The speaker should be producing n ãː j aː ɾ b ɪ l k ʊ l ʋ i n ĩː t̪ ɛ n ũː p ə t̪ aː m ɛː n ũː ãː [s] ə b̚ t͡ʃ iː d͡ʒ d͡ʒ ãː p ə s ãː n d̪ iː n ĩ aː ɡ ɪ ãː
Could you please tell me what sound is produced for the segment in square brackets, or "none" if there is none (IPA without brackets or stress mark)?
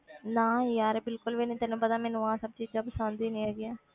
s